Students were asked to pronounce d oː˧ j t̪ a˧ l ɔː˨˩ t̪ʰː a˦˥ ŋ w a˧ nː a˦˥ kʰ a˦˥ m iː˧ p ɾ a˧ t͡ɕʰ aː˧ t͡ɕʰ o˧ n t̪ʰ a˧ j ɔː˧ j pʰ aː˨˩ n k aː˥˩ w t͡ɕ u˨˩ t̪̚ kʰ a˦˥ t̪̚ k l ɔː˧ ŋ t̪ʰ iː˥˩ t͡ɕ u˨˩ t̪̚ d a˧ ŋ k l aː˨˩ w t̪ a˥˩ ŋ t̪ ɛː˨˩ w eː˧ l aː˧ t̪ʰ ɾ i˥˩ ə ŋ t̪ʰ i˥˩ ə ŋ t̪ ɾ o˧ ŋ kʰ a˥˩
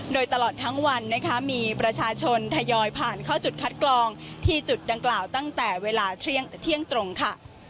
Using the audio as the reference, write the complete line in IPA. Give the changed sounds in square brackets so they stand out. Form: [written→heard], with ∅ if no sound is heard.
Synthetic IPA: d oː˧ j t̪ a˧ l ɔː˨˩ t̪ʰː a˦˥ ŋ w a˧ nː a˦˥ kʰ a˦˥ m iː˧ p ɾ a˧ t͡ɕʰ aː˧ t͡ɕʰ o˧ n t̪ʰ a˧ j ɔː˧ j pʰ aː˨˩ n [k→kʰ] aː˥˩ w t͡ɕ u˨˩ t̪̚ kʰ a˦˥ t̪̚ k l ɔː˧ ŋ t̪ʰ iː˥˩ t͡ɕ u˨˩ t̪̚ d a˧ ŋ k l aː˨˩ w t̪ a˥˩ ŋ t̪ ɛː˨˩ w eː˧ l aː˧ t̪ʰ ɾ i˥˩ ə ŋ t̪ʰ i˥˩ ə ŋ t̪ ɾ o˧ ŋ kʰ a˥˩